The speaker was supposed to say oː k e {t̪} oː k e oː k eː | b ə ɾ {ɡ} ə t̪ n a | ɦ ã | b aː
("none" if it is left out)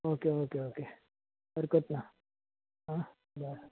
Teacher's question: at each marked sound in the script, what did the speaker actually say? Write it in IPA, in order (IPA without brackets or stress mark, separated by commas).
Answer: none, k